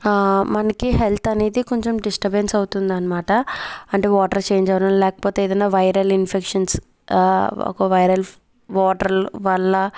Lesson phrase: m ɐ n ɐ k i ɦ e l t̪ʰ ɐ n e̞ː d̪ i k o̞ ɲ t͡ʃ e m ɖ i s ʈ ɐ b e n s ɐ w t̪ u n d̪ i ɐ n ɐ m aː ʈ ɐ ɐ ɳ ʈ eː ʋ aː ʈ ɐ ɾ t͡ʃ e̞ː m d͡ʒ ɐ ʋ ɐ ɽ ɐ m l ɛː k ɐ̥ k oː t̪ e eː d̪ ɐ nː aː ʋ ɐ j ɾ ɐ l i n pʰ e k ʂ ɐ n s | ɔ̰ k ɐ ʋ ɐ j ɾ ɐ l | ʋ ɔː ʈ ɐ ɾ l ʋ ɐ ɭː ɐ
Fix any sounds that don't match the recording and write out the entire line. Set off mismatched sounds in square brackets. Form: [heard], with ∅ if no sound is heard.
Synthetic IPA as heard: m ɐ n ɐ k i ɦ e l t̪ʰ ɐ n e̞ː d̪ i k o̞ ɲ t͡ʃ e m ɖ i s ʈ ɐ b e n s ɐ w t̪ u n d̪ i ɐ n ɐ m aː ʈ ɐ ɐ ɳ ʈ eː ʋ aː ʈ ɐ ɾ t͡ʃ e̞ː [ɲ] d͡ʒ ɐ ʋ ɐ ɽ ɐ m l ɛː k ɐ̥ [p] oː t̪ e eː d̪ ɐ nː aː ʋ ɐ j ɾ ɐ l i n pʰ e k ʂ ɐ n s | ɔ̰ k ɐ ʋ ɐ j ɾ ɐ l | ʋ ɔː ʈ ɐ ɾ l ʋ ɐ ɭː ɐ